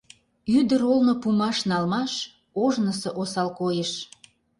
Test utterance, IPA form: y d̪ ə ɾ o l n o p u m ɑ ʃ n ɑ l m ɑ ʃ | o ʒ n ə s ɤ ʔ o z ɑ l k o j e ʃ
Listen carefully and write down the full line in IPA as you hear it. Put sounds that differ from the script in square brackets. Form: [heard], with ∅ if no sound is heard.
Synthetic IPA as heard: y d̪ ə ɾ o l n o p u m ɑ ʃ n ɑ l m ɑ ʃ | o ʒ n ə s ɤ ʔ o [s] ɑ l k o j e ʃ